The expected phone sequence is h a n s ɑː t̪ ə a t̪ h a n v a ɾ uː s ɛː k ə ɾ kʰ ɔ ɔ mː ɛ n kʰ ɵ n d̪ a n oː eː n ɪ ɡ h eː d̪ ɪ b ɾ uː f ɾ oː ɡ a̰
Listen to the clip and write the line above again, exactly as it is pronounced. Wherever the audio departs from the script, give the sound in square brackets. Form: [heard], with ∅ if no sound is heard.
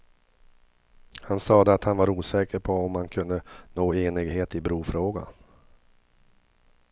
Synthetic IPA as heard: h a n s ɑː [d̪] ə a t̪ h a n v a ɾ uː s ɛː k ə ɾ [pʰ] ɔ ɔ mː [a] n kʰ ɵ n d̪ [ə] n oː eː n ɪ ɡ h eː [t̪] ɪ b ɾ uː f ɾ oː ɡ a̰